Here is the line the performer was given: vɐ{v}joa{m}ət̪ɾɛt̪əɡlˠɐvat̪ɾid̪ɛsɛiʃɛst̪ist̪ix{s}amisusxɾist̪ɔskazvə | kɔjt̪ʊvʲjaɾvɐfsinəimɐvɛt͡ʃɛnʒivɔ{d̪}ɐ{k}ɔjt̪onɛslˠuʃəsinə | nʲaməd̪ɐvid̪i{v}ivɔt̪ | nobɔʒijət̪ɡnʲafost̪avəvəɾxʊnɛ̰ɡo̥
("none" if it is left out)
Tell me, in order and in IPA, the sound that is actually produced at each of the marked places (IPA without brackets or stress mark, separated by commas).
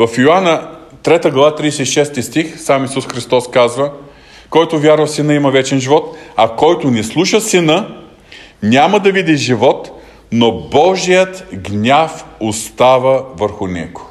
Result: f, n, s, t̪, k, ʒ